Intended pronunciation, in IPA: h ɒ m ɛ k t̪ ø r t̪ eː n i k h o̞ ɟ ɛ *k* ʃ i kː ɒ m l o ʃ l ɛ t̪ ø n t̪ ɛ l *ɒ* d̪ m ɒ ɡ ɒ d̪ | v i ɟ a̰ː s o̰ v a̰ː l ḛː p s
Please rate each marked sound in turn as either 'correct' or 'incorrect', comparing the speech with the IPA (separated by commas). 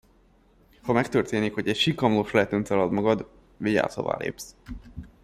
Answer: incorrect, correct